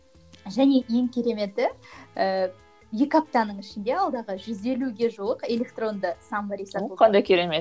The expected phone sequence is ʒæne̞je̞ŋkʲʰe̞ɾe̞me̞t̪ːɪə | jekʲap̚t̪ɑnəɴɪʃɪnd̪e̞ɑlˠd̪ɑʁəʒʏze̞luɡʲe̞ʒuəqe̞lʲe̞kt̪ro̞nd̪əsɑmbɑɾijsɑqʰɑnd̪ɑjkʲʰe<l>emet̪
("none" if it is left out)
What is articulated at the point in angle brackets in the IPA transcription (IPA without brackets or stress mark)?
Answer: ɾ